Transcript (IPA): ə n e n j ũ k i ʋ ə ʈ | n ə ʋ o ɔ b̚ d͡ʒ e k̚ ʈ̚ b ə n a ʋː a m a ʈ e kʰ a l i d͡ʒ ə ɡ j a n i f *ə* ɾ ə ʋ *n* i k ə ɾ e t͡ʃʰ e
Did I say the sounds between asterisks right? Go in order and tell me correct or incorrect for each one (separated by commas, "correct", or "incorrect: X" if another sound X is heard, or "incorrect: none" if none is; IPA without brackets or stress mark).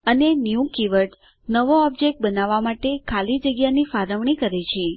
incorrect: a, incorrect: ɳ